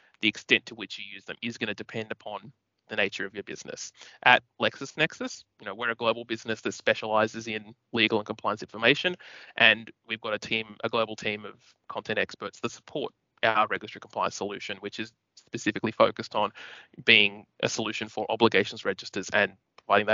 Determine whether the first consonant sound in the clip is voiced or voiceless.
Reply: voiced